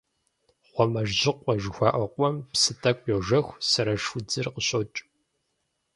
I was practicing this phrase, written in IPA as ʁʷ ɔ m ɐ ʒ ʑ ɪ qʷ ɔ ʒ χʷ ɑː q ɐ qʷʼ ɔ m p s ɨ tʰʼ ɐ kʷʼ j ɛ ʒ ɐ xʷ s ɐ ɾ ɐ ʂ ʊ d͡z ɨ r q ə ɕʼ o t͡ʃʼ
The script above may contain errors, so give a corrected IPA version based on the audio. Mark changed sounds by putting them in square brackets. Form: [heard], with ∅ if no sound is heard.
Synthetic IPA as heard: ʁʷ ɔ m ɐ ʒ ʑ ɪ qʷ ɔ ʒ [xʷ] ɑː [ʔ] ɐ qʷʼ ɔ m p s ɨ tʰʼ ɐ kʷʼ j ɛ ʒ ɐ xʷ s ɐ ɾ ɐ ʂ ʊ d͡z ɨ r q ə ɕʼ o t͡ʃʼ